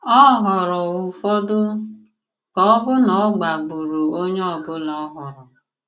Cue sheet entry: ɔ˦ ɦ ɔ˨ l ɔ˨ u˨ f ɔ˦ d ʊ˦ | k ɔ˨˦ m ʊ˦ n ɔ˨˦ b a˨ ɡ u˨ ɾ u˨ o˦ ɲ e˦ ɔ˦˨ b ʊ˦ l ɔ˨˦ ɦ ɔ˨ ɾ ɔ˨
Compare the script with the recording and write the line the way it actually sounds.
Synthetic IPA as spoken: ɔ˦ ɦ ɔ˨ ɾ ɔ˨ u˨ f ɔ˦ d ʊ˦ | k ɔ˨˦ b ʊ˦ n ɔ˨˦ ɡ͡b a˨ ɡ͡b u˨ ɾ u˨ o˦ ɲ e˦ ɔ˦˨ b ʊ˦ l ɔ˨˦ ɦ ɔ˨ ɾ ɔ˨